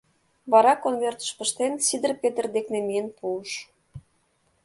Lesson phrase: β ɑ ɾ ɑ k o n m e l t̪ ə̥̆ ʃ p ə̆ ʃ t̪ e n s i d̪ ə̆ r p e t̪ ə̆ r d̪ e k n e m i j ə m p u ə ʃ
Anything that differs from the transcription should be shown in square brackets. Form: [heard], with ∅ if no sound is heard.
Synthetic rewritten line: β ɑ ɾ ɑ k o n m e [r] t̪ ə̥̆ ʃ p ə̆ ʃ t̪ e n s i d̪ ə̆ r p e t̪ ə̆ r d̪ e k n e m i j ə [n] p u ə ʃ